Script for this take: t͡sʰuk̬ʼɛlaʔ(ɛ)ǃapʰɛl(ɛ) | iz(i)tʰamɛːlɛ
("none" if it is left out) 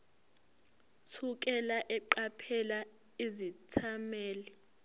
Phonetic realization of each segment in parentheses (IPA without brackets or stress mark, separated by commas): ɛ, a, i